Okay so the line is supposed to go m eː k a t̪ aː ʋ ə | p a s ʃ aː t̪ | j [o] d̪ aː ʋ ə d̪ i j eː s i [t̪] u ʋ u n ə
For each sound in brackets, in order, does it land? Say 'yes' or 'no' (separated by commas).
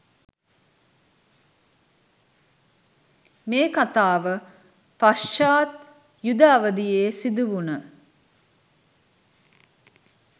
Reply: no, no